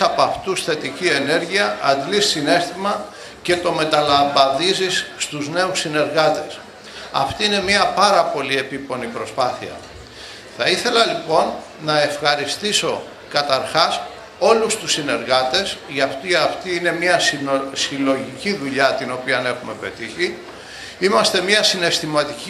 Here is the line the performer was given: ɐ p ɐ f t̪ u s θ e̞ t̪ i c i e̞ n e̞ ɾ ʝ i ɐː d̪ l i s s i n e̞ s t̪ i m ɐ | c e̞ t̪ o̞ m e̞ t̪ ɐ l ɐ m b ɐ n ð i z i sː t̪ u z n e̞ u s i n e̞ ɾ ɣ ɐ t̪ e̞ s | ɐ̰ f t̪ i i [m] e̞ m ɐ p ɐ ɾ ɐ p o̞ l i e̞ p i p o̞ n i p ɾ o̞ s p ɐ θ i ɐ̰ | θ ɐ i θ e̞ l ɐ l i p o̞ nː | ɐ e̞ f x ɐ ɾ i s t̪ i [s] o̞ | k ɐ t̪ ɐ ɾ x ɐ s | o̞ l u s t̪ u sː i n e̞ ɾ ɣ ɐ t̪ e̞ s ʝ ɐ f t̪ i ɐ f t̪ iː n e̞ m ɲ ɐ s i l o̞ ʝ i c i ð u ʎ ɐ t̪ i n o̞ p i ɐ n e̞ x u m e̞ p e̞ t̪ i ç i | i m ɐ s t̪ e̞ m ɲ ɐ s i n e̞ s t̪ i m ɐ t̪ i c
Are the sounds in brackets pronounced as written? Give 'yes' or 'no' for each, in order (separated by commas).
no, yes